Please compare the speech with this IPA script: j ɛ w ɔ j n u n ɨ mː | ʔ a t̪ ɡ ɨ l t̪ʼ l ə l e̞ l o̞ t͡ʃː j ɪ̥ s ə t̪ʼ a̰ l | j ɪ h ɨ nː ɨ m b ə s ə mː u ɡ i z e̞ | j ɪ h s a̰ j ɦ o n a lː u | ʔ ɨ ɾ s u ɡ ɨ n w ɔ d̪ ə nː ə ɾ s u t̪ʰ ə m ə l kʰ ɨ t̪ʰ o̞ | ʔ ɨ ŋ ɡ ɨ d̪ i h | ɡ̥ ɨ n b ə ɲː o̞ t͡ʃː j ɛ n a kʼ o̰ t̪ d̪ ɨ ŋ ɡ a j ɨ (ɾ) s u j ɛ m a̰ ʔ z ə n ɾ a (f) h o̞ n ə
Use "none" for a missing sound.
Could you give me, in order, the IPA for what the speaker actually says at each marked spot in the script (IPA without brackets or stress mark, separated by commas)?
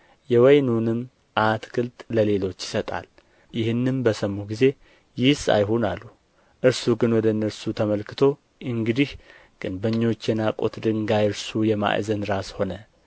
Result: ɾ, s